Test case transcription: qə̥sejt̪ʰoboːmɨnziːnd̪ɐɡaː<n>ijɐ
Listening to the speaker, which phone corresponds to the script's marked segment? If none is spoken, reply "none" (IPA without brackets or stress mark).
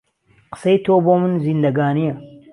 n